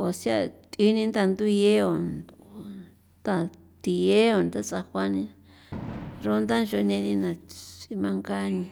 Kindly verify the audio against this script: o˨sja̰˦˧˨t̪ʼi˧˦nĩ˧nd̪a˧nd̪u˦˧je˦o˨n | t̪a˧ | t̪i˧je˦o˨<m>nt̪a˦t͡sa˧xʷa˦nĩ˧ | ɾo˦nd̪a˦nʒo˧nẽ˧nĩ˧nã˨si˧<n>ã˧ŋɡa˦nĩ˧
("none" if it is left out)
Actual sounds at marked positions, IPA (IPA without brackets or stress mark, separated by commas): none, m